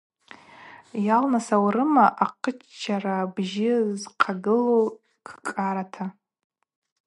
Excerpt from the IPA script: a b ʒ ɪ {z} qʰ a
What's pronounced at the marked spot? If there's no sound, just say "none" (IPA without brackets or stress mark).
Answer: z